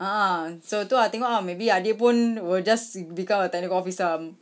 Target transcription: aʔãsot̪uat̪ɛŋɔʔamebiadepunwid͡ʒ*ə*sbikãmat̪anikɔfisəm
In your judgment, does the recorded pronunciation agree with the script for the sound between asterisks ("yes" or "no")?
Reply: no